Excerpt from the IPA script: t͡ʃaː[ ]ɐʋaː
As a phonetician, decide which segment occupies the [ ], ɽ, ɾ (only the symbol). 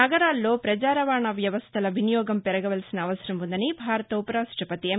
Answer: ɾ